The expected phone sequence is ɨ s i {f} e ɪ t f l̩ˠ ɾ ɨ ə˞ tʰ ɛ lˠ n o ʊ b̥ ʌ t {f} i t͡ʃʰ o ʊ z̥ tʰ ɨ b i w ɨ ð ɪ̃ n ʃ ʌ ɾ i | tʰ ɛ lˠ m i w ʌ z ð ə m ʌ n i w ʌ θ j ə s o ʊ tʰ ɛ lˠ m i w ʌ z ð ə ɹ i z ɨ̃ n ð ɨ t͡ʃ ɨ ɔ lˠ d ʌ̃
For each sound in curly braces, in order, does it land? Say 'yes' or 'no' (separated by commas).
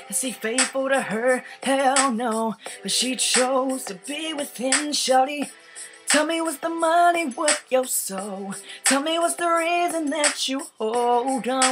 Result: yes, no